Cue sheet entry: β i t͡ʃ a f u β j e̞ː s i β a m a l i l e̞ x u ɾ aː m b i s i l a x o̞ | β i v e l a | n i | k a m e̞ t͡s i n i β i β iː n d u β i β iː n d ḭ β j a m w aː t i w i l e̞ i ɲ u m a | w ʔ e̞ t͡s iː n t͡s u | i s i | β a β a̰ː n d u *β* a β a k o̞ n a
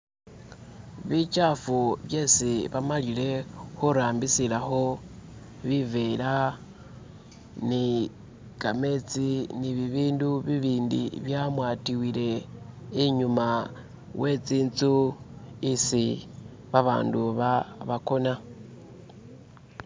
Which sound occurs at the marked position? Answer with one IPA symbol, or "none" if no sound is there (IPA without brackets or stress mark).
β